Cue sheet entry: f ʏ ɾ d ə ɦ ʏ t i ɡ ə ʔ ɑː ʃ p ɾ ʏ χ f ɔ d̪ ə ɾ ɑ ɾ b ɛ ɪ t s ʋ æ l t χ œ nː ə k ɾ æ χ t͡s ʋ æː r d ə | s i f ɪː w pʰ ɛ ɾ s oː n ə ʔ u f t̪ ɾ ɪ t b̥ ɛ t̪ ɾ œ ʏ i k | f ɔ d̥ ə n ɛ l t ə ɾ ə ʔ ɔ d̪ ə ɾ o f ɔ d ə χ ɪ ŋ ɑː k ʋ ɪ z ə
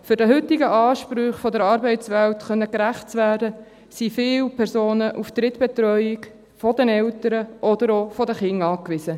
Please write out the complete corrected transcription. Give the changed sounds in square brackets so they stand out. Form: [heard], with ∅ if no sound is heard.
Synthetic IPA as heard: f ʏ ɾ d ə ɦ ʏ t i ɡ ə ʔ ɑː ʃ p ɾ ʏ χ f ɔ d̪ ə ɾ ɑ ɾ b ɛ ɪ t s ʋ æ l t χ œ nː ə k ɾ æ χ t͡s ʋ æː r d ə | s i f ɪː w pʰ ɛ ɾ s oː n ə ʔ u f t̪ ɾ ɪ t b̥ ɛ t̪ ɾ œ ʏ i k | f ɔ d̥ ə n ɛ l t ə ɾ ə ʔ ɔ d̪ ə ɾ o f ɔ d ə χ ɪ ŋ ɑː k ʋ ɪ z ə

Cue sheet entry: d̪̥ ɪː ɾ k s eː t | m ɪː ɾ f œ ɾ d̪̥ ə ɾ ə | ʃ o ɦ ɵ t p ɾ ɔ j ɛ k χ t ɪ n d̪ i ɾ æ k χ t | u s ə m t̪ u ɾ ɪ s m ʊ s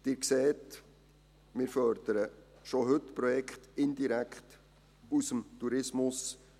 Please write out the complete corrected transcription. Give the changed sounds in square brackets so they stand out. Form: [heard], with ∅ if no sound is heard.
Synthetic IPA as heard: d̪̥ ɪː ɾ k s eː t | m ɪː ɾ f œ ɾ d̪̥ ə ɾ ə | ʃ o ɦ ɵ t p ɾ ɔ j ɛ k χ t ɪ n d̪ i ɾ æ k χ t | u s ə m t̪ u ɾ ɪ s m ʊ s

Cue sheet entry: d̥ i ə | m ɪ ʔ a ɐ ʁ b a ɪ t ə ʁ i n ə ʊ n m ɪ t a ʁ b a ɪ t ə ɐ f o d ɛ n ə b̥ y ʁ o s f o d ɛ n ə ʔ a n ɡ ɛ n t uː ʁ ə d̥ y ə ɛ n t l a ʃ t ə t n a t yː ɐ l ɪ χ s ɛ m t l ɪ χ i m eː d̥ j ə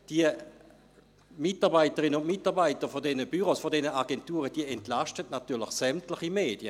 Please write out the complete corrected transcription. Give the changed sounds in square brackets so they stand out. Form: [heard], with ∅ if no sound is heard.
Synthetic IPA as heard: d̥ i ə | m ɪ [t] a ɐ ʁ b a ɪ t ə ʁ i n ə ʊ n m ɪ t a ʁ b a ɪ t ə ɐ f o d ɛ n ə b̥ y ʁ o s f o d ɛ n ə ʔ a [∅] ɡ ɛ n t uː ʁ ə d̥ [i] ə ɛ n t l a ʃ t ə t n a t yː ɐ l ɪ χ s ɛ m t l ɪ χ i m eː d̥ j ə

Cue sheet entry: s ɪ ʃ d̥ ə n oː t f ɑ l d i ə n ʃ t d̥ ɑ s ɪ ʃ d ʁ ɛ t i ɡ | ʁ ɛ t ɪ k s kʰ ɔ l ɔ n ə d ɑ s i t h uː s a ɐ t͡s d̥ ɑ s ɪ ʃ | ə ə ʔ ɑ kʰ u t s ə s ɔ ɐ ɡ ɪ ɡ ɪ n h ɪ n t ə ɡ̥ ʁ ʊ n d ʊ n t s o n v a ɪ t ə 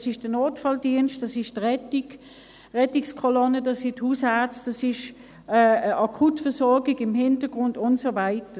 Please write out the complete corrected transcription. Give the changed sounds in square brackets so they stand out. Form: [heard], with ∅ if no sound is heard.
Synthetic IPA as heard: s ɪ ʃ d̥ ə n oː t f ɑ l d i ə n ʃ t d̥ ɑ s ɪ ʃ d ʁ ɛ t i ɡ | ʁ ɛ t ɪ k s kʰ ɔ l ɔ n ə d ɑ s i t h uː s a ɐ t͡s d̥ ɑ s ɪ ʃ | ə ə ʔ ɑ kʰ u t [f] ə s ɔ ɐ ɡ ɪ ɡ ɪ [m] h ɪ n t ə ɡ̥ ʁ ʊ n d ʊ n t s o [∅] v a ɪ t ə

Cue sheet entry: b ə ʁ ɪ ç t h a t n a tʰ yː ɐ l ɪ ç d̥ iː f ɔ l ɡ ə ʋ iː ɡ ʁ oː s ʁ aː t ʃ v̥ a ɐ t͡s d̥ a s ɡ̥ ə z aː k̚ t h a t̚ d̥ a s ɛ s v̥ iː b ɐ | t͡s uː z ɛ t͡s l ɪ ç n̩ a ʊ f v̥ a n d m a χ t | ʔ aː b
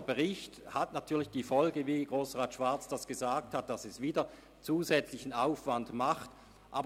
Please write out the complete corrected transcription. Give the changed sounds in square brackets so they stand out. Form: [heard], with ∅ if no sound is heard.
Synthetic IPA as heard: b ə ʁ ɪ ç t h a t n a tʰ yː ɐ l ɪ ç d̥ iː f ɔ l ɡ ə [v] iː ɡ ʁ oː s ʁ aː t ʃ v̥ a ɐ t͡s d̥ a s ɡ̥ ə z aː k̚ t h a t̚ d̥ a s ɛ s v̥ iː [d] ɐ | t͡s uː z ɛ t͡s l ɪ ç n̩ a ʊ f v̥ a n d m a χ t | ʔ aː b

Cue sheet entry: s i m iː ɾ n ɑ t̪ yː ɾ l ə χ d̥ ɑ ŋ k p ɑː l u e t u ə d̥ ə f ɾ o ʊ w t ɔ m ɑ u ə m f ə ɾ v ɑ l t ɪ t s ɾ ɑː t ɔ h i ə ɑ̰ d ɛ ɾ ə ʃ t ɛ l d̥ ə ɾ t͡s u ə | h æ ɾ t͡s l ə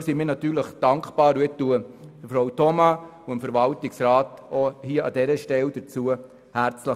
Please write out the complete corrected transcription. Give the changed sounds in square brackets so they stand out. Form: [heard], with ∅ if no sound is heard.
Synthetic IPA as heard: s i m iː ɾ n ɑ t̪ yː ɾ l ə χ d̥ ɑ ŋ k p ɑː [ɾ] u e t u ə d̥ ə f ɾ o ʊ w t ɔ m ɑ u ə m f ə ɾ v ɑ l t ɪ [k] s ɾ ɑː t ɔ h i ə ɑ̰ d ɛ ɾ ə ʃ t ɛ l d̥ ə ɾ t͡s u ə | h æ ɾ t͡s l ə

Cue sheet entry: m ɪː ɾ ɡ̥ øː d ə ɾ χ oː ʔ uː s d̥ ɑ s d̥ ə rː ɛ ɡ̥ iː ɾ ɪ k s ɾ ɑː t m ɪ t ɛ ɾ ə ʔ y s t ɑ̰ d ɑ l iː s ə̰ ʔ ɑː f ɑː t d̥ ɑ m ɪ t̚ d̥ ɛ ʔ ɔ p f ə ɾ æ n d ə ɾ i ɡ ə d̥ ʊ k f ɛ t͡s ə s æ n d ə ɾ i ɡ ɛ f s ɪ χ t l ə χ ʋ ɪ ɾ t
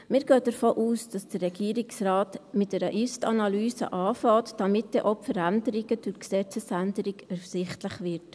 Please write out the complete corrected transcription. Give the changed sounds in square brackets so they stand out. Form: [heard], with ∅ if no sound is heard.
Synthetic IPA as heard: m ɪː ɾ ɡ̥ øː d ə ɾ [f] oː ʔ uː s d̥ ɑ s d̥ ə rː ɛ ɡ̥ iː ɾ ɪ k s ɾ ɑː t m ɪ t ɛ ɾ ə ʔ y s t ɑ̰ [n] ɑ l [yː] s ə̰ ʔ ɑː f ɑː t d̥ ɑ m ɪ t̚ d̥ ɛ ʔ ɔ p f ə ɾ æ n d ə ɾ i ɡ ə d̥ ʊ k [s] ɛ t͡s ə s æ n d ə ɾ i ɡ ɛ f s ɪ χ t l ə χ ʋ ɪ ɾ t

